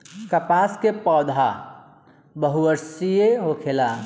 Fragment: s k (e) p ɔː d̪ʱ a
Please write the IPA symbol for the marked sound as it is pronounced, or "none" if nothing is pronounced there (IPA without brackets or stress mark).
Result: e